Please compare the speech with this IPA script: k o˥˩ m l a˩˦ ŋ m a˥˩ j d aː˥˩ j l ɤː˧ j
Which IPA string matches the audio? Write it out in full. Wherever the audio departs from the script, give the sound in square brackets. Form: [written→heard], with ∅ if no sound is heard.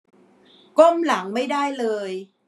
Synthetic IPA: k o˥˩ m l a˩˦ ŋ m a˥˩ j d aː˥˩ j l ɤː˧ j